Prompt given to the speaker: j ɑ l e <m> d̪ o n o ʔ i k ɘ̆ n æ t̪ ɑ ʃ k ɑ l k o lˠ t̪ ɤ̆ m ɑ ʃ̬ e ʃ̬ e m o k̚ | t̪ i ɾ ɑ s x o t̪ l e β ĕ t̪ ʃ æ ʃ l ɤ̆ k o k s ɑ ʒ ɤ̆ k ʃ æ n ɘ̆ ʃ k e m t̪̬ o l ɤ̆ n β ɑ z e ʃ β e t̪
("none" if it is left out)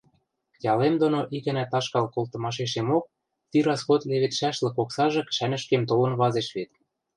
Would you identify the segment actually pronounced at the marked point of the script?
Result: m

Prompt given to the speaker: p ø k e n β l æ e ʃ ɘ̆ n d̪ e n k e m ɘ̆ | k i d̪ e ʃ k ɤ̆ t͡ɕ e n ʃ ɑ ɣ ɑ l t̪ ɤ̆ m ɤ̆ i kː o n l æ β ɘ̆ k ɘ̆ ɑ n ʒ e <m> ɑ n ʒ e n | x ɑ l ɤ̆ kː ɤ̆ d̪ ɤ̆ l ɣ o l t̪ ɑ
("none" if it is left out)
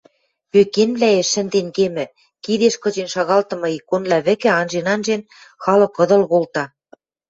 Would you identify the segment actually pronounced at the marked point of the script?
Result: n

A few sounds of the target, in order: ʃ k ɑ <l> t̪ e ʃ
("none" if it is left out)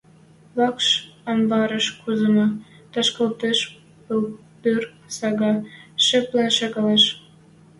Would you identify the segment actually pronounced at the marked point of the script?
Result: l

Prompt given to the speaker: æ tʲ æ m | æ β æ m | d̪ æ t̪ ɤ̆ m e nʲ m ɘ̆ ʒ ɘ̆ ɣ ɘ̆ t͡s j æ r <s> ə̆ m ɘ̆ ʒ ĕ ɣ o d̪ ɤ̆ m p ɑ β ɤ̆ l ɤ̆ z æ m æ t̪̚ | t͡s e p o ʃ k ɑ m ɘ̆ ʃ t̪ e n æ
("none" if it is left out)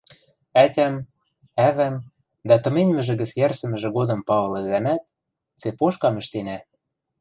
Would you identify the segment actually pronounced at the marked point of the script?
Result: s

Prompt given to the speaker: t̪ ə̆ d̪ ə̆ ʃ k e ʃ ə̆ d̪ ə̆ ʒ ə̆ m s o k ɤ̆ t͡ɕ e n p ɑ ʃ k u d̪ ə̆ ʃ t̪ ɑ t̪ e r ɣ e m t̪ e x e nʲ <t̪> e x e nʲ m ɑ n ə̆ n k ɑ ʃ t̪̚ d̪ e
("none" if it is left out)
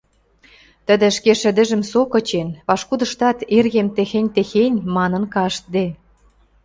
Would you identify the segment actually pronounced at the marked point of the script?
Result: t̪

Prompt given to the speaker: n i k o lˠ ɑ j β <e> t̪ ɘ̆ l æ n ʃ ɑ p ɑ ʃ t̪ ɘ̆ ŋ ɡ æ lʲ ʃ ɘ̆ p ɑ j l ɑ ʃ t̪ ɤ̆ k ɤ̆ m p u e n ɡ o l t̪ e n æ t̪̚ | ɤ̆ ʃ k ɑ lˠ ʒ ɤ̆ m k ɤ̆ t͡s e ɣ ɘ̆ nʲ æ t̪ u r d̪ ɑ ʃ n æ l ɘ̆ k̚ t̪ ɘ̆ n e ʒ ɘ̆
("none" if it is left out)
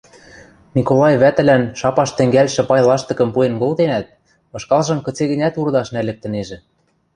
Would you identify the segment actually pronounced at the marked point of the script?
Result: æ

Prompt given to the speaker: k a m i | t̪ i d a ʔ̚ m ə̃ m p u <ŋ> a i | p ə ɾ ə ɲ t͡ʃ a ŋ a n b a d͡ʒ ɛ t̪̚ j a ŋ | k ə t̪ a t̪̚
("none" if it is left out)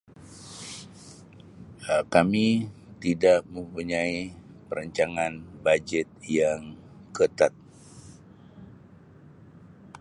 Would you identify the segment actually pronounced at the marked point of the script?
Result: ɲ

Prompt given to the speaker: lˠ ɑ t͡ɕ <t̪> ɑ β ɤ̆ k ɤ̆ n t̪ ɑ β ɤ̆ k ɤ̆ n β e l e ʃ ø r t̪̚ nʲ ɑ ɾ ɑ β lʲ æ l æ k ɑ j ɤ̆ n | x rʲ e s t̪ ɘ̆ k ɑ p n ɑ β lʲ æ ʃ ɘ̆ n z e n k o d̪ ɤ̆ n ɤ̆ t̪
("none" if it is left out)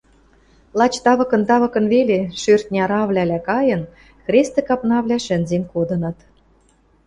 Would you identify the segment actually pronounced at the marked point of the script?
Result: t̪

